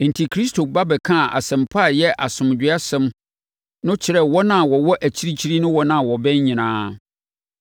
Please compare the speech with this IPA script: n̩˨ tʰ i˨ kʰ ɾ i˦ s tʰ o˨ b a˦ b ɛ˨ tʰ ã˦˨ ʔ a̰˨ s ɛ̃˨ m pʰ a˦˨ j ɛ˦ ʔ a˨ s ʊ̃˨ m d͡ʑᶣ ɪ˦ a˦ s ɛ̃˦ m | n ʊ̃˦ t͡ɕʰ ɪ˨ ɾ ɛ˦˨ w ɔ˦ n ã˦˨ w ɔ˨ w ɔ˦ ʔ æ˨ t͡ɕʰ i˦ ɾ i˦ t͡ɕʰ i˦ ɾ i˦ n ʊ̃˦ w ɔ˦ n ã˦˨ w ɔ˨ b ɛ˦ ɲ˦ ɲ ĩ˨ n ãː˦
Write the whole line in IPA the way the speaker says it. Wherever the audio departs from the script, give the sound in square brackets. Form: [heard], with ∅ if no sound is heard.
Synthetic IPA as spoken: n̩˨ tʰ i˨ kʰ ɾ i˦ s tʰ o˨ b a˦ b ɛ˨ [kʰ] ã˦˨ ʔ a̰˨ s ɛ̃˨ m pʰ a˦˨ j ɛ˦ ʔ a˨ s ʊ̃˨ m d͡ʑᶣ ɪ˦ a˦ s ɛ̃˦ m | n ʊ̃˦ t͡ɕʰ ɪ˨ ɾ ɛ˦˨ w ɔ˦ n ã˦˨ w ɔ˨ w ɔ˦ ʔ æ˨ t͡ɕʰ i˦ ɾ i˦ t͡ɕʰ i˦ ɾ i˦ n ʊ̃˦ w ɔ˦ n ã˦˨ w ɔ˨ b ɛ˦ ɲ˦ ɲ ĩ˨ n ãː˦